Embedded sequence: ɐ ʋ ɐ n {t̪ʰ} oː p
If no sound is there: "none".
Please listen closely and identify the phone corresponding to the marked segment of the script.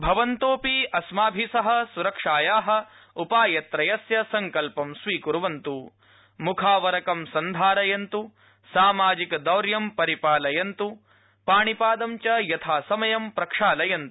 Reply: t̪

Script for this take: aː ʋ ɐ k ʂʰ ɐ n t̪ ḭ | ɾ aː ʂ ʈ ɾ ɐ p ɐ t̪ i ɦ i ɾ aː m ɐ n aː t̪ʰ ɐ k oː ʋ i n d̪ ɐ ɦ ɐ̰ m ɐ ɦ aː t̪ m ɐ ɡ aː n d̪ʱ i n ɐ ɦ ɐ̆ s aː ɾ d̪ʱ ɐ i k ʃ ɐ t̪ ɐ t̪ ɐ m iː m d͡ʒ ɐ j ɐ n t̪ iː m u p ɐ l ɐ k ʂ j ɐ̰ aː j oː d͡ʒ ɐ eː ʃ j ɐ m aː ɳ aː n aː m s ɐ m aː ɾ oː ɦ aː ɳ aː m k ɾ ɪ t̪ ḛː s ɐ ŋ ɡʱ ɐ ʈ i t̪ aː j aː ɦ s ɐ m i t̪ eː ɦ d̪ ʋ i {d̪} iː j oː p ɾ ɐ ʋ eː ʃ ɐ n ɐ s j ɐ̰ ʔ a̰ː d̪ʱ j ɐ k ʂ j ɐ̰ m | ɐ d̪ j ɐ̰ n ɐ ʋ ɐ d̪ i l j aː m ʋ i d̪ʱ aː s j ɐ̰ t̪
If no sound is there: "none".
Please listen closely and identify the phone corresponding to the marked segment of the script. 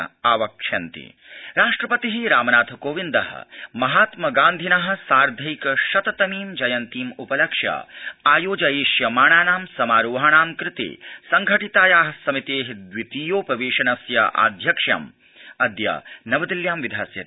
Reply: t̪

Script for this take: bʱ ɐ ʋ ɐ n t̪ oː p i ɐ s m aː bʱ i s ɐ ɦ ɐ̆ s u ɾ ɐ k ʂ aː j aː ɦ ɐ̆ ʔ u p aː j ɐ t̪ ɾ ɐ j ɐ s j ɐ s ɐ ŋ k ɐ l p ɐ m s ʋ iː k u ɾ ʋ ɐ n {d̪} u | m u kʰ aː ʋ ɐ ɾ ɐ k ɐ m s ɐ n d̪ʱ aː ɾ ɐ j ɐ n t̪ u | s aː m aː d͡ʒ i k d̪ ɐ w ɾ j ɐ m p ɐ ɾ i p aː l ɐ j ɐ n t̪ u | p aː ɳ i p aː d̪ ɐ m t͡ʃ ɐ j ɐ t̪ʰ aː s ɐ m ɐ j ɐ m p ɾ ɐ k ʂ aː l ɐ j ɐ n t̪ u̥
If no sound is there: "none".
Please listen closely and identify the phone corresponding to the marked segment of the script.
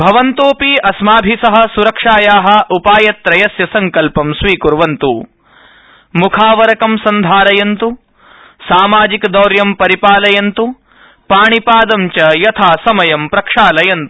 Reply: t̪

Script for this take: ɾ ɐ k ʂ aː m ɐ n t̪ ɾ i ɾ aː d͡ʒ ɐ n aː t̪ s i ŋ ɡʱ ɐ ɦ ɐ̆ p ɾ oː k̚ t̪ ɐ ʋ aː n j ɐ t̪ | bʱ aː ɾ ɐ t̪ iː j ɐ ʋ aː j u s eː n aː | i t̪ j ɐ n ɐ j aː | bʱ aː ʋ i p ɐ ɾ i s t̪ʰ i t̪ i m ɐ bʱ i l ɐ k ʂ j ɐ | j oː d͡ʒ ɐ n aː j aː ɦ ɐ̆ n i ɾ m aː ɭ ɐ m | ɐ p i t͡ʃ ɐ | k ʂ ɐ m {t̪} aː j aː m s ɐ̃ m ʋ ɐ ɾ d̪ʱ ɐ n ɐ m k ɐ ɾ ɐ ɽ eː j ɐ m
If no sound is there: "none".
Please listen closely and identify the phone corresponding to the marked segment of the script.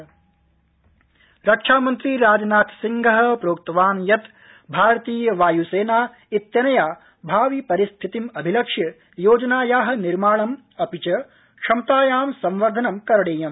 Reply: t̪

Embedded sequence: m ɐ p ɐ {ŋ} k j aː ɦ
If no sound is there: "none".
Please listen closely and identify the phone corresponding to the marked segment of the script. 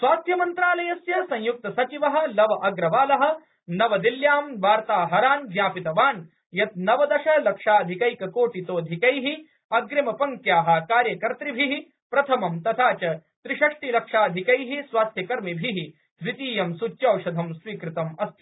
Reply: ŋ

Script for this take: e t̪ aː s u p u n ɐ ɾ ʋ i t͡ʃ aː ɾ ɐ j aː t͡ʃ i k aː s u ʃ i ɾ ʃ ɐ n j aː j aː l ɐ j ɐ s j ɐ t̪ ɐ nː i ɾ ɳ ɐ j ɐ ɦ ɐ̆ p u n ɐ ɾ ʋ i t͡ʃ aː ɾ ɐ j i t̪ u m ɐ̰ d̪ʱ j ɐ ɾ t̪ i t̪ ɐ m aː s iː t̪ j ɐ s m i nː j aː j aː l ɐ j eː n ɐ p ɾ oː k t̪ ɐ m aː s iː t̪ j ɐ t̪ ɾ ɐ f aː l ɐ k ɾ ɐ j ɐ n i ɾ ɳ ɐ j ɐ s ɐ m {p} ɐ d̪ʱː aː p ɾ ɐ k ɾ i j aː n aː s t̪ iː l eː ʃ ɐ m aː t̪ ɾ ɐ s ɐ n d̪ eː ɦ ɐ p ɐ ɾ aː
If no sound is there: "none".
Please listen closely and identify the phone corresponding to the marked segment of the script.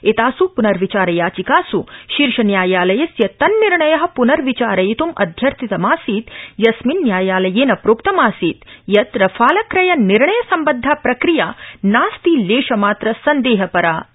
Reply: b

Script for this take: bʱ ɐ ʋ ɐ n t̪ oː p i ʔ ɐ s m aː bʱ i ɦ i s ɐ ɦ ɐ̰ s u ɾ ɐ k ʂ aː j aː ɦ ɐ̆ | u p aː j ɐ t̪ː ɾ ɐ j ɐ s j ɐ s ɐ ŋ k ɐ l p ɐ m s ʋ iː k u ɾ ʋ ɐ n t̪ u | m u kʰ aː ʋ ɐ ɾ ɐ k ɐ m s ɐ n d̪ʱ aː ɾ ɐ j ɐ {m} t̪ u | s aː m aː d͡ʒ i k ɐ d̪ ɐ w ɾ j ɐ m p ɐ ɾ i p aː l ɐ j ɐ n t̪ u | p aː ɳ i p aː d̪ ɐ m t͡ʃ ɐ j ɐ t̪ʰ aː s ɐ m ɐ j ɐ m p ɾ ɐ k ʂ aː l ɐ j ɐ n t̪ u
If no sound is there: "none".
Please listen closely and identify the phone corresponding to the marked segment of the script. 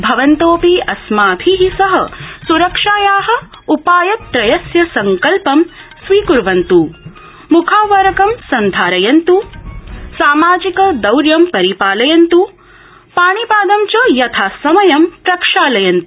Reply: n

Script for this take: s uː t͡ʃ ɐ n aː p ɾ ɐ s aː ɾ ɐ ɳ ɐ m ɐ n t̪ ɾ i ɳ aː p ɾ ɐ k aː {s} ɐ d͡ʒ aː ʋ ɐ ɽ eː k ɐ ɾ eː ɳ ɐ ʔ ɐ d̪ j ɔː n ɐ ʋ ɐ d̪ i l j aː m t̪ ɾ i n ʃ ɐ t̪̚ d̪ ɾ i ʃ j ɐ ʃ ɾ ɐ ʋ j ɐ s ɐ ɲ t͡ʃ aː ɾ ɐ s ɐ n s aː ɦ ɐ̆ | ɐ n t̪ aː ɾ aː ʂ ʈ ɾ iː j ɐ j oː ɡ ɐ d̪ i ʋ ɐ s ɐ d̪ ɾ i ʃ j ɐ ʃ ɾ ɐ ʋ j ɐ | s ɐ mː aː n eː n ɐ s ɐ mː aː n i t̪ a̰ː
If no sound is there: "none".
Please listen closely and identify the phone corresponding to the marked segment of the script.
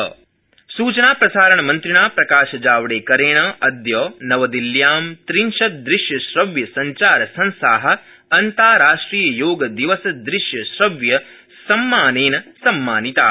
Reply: ʃ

